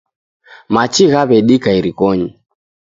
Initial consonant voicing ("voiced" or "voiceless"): voiced